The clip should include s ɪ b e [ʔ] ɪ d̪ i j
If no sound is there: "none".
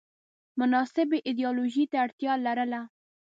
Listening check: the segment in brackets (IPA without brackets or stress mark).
ʔ